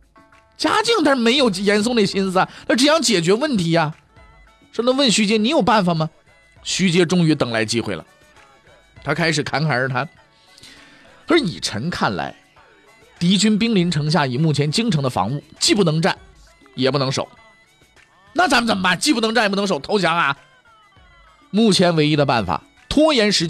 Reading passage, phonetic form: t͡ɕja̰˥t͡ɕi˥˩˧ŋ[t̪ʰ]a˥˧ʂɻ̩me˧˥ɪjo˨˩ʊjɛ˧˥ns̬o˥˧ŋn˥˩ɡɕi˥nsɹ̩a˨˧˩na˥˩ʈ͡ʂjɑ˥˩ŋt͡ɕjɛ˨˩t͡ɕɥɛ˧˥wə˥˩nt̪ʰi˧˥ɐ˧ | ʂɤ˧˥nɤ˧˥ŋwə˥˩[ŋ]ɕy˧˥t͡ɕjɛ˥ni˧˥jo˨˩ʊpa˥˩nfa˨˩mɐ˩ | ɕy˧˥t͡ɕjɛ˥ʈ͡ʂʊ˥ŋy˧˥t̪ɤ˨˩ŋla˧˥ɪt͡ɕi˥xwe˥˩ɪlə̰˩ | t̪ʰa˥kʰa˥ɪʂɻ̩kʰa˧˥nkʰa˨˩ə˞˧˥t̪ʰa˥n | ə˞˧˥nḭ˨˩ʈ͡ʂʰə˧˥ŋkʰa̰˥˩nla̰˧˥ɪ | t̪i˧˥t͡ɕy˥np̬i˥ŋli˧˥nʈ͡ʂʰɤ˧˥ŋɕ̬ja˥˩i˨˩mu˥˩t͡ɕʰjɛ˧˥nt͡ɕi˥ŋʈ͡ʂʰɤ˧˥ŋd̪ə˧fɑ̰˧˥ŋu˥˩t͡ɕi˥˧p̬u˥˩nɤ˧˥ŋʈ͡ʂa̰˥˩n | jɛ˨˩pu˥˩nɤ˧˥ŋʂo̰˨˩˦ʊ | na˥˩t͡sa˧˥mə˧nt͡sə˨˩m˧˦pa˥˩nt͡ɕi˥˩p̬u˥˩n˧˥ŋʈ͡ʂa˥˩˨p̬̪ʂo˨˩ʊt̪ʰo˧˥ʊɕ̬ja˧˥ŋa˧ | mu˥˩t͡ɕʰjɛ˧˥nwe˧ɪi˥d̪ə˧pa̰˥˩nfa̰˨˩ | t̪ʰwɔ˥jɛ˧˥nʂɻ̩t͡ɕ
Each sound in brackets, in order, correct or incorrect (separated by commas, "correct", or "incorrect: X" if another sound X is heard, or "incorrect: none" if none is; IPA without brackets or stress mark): incorrect: t̪, incorrect: n